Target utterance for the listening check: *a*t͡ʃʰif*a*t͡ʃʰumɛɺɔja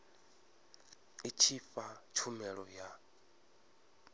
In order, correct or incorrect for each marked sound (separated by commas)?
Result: incorrect, correct